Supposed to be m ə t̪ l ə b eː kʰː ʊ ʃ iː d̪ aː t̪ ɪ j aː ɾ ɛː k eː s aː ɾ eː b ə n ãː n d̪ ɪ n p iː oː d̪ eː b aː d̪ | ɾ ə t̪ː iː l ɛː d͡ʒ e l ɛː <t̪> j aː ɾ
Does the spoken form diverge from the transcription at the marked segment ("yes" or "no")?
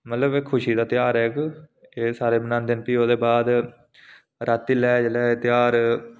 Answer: no